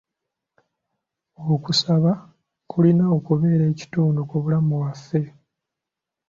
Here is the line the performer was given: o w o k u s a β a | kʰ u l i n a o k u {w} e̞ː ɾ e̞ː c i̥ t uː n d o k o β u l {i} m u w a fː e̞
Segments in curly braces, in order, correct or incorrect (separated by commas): incorrect, incorrect